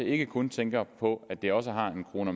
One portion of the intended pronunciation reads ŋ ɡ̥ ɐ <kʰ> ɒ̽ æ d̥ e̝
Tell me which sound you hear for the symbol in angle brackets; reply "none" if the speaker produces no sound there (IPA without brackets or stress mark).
pʰ